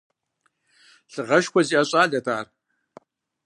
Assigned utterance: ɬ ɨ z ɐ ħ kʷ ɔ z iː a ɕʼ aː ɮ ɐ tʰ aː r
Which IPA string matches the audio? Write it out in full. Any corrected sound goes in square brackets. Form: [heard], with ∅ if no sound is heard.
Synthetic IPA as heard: ɬ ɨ [ʁ] ɐ [ʃ] kʷ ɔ z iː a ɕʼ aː ɮ ɐ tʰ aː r